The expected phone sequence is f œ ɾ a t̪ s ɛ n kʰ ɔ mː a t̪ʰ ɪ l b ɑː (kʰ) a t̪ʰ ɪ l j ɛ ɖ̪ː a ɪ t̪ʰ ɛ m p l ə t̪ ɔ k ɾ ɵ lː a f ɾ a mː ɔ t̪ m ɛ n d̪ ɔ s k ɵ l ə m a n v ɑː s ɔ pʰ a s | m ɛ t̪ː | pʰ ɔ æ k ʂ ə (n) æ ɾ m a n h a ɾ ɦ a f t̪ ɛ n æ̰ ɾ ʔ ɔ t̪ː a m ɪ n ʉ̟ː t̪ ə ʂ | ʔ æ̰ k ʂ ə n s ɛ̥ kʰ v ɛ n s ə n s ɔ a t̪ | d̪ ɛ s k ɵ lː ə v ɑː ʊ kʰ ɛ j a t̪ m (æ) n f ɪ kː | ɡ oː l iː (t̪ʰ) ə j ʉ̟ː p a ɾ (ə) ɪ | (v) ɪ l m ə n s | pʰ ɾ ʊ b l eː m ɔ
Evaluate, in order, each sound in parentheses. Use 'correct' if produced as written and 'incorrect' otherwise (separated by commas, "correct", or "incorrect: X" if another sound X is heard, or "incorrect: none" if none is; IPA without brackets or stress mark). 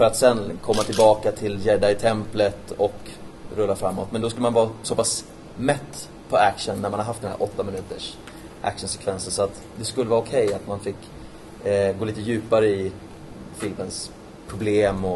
incorrect: k, incorrect: nː, incorrect: a, incorrect: t̪, correct, incorrect: f